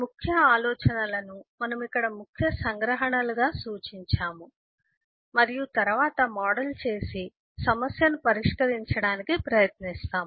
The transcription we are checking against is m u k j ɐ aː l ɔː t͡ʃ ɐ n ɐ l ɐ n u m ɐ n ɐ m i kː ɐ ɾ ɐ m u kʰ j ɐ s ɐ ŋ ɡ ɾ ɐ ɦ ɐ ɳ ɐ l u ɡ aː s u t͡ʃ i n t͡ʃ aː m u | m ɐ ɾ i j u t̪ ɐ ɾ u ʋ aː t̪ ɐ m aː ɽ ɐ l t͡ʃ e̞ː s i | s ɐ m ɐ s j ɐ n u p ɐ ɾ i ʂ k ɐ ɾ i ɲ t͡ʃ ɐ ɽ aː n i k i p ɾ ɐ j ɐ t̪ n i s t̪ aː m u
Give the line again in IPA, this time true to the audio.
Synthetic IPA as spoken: m u kʰ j ɐ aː l ɔː t͡ʃ ɐ n ɐ l ɐ n u m ɐ n ɐ m i kː ɐ ɽ ɐ m u kʰ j ɐ s ɐ ŋ ɡ ɾ ɐ ɦ ɐ ɳ ɐ l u ɡ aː s uː t͡ʃ i ɲ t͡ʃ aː m u | m ɐ ɾ i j u t̪ ɐ ɾ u ʋ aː t̪ ɐ m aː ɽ ɐ l t͡ʃ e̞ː s i | s ɐ m ɐ s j ɐ n u p ɐ ɾ i ʂ k ɐ ɾ i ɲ t͡ʃ ɐ ɽ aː n i k i p ɾ ɐ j ɐ t̪ n i s t̪ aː m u